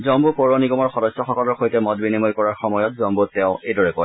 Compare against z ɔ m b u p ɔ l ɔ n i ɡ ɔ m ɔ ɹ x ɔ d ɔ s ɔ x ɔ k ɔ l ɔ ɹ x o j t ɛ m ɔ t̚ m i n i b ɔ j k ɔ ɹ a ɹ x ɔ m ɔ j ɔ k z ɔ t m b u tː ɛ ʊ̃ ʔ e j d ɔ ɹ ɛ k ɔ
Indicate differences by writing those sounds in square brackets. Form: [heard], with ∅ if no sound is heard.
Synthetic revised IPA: z ɔ m b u p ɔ [ɹ] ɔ n i ɡ ɔ m ɔ ɹ x ɔ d ɔ s ɔ x ɔ k ɔ l ɔ ɹ x o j t ɛ m ɔ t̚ [b] i n i [m] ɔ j k ɔ ɹ a ɹ x ɔ m ɔ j ɔ [t] z ɔ [∅] m b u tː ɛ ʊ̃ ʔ e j d ɔ ɹ ɛ k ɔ